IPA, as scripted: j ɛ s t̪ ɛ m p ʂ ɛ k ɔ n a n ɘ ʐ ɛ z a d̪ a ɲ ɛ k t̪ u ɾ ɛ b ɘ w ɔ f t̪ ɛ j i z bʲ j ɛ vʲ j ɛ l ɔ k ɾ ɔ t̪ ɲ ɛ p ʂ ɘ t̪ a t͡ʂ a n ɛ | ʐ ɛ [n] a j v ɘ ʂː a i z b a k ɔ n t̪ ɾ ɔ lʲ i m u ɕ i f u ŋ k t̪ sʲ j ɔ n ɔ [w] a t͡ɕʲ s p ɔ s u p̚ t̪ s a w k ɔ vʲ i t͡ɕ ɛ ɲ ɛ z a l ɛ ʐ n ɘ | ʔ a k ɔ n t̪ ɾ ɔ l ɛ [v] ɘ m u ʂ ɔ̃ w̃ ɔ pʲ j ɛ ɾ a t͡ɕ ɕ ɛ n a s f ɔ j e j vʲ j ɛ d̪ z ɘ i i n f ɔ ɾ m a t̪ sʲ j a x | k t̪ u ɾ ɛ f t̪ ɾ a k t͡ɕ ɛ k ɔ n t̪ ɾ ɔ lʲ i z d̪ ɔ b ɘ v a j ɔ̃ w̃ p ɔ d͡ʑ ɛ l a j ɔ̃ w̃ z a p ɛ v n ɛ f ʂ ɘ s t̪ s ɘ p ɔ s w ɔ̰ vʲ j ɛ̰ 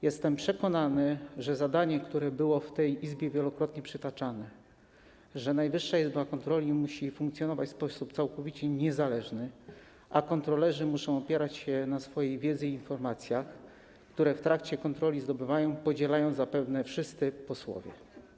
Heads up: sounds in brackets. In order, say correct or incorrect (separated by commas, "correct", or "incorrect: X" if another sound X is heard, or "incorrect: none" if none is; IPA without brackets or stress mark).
correct, incorrect: v, incorrect: ʐ